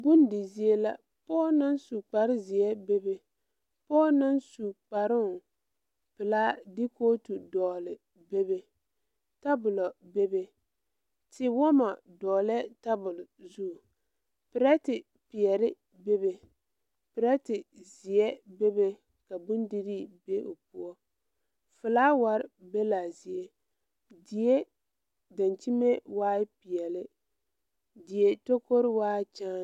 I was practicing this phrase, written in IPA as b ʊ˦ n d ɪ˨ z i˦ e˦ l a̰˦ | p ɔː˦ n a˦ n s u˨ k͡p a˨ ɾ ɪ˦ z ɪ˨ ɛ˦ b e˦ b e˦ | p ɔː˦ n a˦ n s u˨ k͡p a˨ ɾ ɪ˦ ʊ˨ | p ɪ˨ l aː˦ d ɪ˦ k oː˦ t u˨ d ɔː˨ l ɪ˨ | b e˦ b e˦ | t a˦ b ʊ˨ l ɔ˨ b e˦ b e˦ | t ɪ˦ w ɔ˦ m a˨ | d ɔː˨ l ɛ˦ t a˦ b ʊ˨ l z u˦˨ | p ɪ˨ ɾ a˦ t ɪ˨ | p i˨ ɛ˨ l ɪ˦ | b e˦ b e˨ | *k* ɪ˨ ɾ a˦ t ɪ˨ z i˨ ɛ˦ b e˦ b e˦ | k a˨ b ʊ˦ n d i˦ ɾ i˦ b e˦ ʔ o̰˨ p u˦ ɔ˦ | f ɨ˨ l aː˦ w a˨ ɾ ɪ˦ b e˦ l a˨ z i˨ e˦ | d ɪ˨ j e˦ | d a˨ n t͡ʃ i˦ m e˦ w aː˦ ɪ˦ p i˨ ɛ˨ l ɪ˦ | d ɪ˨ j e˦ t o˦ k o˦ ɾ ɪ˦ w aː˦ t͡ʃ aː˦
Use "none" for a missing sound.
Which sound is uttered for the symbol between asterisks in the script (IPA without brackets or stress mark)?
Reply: p